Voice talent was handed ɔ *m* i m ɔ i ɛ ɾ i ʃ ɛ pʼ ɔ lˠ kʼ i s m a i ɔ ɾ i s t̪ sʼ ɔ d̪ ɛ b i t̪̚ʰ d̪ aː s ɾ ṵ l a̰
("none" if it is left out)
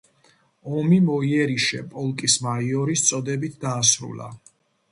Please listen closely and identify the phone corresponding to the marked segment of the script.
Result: m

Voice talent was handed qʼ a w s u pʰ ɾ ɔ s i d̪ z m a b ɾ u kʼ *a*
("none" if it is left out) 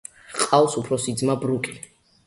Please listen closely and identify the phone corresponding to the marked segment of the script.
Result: i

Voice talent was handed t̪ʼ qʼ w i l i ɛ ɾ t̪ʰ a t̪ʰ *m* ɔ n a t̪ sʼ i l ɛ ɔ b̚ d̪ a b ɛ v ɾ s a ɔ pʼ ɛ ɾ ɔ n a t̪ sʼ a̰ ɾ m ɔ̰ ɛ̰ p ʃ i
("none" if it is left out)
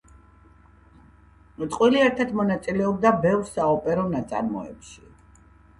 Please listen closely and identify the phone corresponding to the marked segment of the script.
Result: m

